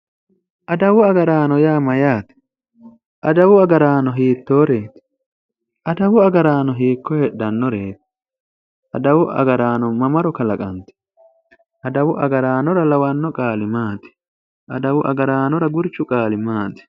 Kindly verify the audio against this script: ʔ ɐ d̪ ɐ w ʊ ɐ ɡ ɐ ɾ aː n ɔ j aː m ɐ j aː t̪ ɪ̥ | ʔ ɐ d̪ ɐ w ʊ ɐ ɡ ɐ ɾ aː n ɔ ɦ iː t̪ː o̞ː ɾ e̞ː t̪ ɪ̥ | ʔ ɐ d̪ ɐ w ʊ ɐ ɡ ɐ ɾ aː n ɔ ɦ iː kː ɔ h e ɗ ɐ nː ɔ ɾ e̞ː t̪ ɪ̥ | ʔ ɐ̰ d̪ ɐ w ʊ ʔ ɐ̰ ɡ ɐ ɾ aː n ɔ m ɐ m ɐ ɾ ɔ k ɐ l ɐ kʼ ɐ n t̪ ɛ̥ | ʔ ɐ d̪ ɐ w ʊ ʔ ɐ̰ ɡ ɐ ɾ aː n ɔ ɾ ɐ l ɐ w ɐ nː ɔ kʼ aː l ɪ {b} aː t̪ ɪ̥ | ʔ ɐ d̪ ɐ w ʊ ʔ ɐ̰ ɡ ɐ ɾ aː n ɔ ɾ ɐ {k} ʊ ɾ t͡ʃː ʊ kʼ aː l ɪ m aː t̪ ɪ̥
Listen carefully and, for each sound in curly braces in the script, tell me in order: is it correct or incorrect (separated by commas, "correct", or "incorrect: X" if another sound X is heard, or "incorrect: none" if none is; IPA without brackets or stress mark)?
incorrect: m, incorrect: ɡ